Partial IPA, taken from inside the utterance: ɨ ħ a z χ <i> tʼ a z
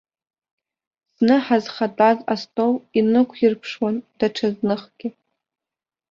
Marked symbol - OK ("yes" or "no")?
no